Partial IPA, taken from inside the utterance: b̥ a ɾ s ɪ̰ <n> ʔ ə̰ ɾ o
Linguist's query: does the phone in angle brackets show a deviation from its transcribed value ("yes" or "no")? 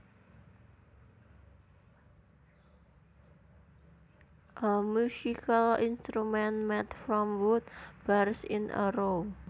no